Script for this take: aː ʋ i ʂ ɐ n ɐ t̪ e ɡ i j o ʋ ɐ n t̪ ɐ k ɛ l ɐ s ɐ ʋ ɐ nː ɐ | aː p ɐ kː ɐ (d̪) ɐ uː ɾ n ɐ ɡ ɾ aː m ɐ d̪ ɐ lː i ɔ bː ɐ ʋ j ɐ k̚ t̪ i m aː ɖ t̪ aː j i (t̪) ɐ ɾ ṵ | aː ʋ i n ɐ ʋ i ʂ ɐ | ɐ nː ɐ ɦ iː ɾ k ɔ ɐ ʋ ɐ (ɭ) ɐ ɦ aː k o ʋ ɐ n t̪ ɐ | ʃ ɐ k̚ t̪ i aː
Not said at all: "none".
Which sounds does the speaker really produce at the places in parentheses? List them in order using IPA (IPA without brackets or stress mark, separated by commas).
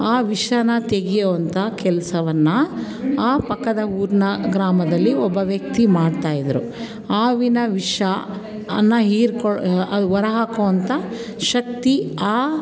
d̪, d̪, ɾ